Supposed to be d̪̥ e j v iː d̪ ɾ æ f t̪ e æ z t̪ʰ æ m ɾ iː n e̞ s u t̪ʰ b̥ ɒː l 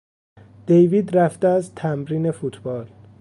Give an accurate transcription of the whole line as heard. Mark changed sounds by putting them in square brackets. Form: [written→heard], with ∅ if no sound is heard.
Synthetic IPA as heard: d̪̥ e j v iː d̪ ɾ æ f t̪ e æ z t̪ʰ æ m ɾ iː n e̞ [s→f] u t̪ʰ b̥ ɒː l